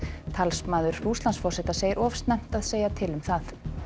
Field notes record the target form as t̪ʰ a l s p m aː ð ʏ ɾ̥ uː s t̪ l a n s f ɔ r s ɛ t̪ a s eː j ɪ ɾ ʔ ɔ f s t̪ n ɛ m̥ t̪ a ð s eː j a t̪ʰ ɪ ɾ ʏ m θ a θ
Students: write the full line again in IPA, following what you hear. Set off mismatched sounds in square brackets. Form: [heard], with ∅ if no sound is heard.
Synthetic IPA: t̪ʰ a l s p m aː ð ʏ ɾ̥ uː s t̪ l a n s f ɔ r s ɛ t̪ a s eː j ɪ ɾ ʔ ɔ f s t̪ n ɛ m̥ t̪ a ð s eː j a t̪ʰ ɪ [l] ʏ m θ a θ